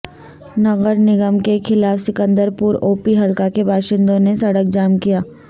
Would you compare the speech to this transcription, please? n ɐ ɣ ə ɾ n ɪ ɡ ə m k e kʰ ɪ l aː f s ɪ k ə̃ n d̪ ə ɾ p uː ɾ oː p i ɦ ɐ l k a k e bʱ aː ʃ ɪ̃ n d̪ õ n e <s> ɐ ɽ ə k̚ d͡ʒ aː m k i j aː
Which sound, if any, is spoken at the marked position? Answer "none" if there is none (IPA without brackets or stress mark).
s